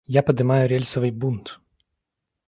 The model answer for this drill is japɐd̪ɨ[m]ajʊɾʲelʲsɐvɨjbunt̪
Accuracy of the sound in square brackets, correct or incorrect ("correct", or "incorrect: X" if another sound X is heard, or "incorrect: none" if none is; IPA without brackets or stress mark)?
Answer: correct